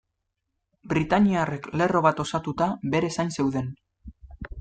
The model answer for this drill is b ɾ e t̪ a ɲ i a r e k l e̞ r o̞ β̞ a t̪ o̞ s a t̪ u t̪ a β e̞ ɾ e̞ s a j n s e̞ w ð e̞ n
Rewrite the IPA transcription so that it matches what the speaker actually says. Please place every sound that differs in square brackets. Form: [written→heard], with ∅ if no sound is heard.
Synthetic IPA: b ɾ [e→i] t̪ a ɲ i a r e k l e̞ r o̞ β̞ a t̪ o̞ s a t̪ u t̪ a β e̞ ɾ e̞ s a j n s e̞ w ð e̞ n